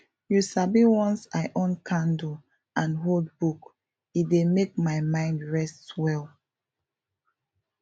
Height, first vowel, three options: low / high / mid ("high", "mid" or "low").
high